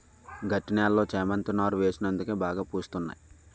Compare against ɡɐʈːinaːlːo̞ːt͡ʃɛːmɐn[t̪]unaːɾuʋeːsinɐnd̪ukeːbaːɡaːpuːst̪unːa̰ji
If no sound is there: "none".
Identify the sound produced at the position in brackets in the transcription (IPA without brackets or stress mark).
t̪